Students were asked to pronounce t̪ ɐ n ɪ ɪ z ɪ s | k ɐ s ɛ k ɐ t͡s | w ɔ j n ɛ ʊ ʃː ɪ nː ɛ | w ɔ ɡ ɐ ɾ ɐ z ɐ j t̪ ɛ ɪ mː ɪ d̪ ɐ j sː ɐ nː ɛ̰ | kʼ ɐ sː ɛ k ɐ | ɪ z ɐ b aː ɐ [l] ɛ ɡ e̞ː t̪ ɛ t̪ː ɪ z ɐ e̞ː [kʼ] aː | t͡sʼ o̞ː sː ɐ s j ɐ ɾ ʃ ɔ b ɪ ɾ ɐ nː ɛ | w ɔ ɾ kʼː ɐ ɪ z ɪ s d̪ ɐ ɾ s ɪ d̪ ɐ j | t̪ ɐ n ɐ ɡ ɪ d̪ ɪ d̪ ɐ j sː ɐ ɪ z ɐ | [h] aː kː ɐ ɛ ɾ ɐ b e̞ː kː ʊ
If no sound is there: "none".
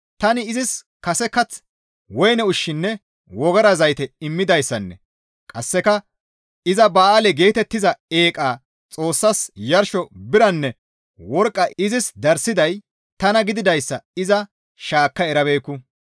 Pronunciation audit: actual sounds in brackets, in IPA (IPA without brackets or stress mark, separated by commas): l, kʼ, ʃ